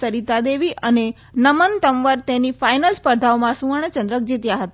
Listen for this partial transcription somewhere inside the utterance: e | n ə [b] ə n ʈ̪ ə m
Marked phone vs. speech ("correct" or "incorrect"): incorrect